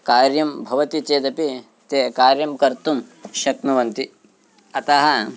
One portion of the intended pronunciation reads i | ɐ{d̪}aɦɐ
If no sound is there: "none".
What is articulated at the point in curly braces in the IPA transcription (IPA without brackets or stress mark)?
t̪